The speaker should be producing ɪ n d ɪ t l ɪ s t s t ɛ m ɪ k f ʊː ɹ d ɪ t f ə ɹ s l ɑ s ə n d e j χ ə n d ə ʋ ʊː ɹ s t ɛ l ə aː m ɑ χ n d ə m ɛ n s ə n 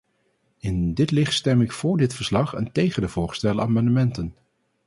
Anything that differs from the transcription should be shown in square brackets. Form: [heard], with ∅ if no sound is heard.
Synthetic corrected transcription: ɪ n d ɪ t l ɪ [χ] t s t ɛ m ɪ k f ʊː ɹ d ɪ t f ə ɹ s l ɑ [χ] ə n [t] e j χ ə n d ə [v] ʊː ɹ s t ɛ l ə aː m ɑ [∅] n d ə m ɛ n [t] ə n

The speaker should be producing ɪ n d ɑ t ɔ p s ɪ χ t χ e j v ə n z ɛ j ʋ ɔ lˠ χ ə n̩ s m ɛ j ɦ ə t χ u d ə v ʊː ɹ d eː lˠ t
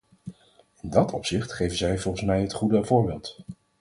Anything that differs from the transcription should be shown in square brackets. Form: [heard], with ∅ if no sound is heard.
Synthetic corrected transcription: ɪ n d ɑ t ɔ p s ɪ χ t χ e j v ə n z ɛ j [v] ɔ lˠ χ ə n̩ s m ɛ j ɦ ə t χ u d ə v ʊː ɹ [b] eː lˠ t

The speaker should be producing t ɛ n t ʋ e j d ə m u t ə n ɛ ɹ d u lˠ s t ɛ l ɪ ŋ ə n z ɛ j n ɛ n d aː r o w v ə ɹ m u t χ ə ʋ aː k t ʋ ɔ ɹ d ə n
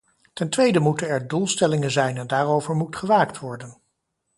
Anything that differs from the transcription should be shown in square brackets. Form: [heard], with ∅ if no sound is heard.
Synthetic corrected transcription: t ɛ n t ʋ e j d ə m u t ə n ɛ ɹ d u lˠ s t ɛ l ɪ ŋ ə n z ɛ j n ɛ n d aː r o w v ə ɹ m u t χ ə ʋ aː k t ʋ ɔ ɹ d ə n

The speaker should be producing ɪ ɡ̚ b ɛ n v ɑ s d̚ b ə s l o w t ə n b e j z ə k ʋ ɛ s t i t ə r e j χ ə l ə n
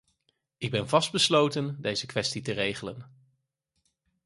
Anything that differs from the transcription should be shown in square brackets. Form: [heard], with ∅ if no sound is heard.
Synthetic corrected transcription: ɪ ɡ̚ b ɛ n v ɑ s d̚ b ə s l o w t ə n [d] e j z ə k ʋ ɛ s t i t ə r e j χ ə l ə n

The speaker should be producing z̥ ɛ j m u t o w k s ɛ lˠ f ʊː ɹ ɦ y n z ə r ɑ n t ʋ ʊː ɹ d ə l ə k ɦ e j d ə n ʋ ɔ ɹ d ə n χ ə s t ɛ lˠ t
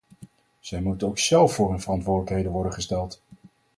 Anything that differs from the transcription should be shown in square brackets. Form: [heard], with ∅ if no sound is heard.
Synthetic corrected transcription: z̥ ɛ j m u t o w k s ɛ lˠ f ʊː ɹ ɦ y n [v] ə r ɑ n t ʋ ʊː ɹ d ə l ə k ɦ e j d ə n ʋ ɔ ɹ d ə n χ ə s t ɛ lˠ t

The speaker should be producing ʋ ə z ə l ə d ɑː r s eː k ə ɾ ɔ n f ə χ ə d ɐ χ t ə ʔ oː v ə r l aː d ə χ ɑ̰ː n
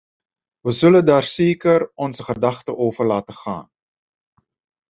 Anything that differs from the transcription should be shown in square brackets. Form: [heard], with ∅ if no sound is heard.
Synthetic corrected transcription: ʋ ə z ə l ə d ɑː r s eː k ə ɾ ɔ n [s] ə χ ə d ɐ χ t ə ʔ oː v ə r l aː [t] ə χ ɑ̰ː n

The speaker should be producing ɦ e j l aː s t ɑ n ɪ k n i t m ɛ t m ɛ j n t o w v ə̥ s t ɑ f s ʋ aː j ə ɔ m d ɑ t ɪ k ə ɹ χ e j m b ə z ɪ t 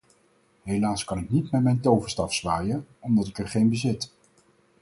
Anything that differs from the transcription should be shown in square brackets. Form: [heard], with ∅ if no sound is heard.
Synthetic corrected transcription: ɦ e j l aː s [k] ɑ n ɪ k n i t m ɛ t m ɛ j n t o w v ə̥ s t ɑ f s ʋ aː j ə ɔ m d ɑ t ɪ k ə ɹ χ e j [n] b ə z ɪ t

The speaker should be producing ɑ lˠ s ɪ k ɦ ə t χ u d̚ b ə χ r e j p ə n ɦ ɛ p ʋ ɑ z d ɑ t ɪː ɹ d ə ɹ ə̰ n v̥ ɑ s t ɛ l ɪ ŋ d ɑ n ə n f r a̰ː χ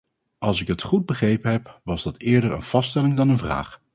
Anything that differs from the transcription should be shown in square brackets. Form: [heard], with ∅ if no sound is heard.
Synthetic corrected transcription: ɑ lˠ s ɪ k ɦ ə t χ u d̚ b ə χ r e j p ə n ɦ ɛ p ʋ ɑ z d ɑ t ɪː ɹ d ə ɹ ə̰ n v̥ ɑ s t ɛ l ɪ ŋ d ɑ n ə n [v] r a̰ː χ

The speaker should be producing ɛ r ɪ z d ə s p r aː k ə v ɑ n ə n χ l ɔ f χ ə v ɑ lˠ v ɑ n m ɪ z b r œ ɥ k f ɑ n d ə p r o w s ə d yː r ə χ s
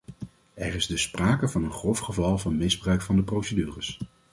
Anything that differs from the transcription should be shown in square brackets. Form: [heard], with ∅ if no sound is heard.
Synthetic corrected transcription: ɛ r ɪ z d ə s p r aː k ə v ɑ n ə n χ [r] ɔ f χ ə v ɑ lˠ v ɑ n m ɪ z b r œ ɥ k f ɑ n d ə p r o w s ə d yː r ə [∅] s

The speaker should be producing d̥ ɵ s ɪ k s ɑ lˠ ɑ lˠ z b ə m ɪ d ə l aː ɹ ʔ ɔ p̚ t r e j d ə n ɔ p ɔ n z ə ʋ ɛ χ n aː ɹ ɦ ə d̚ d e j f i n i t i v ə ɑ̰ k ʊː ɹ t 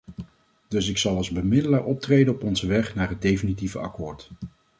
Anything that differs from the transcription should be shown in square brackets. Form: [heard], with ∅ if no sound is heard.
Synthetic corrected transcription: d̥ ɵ s ɪ k s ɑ lˠ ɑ lˠ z b ə m ɪ d ə l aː ɹ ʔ ɔ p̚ t r e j d ə n ɔ p ɔ n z ə ʋ ɛ χ n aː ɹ ɦ ə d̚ d e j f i n i t i v ə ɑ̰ k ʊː ɹ t

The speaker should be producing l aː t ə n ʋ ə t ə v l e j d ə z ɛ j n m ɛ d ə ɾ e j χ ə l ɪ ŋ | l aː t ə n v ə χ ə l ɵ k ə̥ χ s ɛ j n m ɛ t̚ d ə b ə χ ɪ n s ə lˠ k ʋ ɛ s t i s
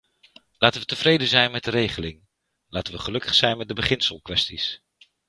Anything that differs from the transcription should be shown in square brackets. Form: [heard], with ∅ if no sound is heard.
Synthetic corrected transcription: l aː t ə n ʋ ə t ə v [r] e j d ə z ɛ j n m ɛ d ə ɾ e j χ ə l ɪ ŋ | l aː t ə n [ʋ] ə χ ə l ɵ k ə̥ χ s ɛ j n m ɛ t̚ d ə b ə χ ɪ n s ə lˠ k ʋ ɛ s t i s

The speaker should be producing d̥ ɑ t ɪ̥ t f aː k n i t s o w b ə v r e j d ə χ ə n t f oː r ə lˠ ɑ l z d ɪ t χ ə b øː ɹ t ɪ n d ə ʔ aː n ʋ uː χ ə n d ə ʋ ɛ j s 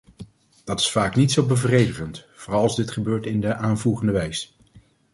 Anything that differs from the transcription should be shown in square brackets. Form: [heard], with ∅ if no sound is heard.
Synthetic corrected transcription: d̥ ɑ t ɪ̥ [s] f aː k n i t s o w b ə v r e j d ə χ ə n t f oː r [ɑ] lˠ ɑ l z d ɪ t χ ə b øː ɹ t ɪ n d ə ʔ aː n [v] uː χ ə n d ə ʋ ɛ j s

